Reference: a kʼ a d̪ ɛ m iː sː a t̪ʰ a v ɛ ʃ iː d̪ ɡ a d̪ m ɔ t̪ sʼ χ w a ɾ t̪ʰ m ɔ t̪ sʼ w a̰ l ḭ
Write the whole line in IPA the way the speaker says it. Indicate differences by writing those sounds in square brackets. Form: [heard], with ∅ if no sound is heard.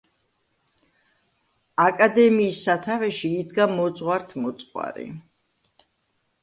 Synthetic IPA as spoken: a kʼ a d̪ ɛ m iː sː a t̪ʰ a v ɛ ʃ iː d̪ ɡ a [∅] m ɔ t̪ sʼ [ʁ] w a ɾ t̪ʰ m ɔ t̪ sʼ w a̰ [ɾ] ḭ